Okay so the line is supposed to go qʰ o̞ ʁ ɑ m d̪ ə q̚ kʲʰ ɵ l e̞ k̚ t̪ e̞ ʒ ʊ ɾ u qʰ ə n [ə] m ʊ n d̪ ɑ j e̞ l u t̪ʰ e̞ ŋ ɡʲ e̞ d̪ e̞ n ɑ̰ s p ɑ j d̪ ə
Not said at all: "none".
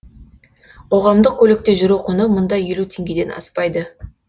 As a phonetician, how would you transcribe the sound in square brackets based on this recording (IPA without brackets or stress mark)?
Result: ə